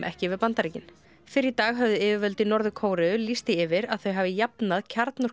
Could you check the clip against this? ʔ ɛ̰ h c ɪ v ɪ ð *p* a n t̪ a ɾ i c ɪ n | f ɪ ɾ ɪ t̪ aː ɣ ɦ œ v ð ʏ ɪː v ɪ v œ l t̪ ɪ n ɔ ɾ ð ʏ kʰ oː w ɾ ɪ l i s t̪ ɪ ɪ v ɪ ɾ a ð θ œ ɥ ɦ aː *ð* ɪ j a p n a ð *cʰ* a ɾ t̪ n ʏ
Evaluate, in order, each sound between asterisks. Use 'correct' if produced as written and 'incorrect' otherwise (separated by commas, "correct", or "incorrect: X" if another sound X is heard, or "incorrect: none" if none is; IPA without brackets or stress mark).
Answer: correct, incorrect: v, correct